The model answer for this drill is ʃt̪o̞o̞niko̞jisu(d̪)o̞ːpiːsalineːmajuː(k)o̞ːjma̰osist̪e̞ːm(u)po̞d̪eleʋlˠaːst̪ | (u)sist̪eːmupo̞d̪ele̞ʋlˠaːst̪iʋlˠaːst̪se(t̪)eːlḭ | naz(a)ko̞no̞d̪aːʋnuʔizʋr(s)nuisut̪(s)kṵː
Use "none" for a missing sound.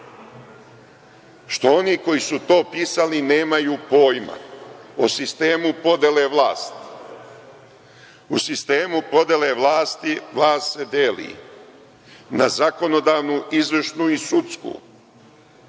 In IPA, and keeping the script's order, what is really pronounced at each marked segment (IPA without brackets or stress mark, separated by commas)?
t̪, p, u, u, d̪, a, ʃ, s